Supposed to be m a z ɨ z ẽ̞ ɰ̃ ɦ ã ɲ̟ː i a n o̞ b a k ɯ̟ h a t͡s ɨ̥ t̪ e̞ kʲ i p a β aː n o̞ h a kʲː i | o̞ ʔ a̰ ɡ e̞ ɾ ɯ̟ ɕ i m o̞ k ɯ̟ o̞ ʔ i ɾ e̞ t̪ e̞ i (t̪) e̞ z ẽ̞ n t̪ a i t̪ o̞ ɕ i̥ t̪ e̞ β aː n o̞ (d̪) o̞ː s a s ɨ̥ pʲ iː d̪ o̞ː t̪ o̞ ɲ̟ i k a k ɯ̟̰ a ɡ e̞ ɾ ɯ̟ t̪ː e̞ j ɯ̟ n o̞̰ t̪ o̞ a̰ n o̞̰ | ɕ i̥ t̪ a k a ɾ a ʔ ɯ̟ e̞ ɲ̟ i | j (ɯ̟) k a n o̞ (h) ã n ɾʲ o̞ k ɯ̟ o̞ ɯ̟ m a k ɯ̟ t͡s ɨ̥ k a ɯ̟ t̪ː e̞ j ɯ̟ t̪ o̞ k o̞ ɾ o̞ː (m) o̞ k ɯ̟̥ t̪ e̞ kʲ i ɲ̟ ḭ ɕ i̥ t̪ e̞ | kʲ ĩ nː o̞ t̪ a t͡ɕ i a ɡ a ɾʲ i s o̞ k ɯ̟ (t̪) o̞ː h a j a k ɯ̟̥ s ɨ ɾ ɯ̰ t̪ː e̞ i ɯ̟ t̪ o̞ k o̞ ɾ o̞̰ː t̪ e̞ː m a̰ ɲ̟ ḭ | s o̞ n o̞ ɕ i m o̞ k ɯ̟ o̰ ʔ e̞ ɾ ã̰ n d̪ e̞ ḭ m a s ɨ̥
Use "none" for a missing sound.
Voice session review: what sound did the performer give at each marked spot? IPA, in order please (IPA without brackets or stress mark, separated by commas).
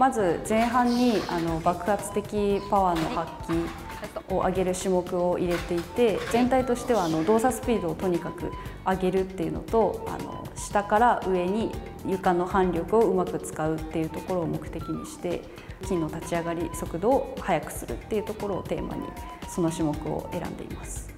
t̪, d̪, ɯ̟, h, m, d̪